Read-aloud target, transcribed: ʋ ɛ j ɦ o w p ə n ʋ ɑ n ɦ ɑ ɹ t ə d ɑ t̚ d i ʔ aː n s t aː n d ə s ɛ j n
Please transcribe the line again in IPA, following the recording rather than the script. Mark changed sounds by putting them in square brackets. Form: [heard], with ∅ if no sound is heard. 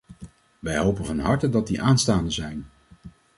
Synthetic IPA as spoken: ʋ ɛ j ɦ o w p ə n [v] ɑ n ɦ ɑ ɹ t ə d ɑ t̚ d i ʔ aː n s t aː n d ə [z] ɛ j n